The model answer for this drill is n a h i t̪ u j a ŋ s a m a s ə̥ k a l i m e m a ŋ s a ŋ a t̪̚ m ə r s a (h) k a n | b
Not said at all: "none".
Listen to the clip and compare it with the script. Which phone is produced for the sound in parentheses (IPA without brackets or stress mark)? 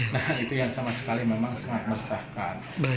h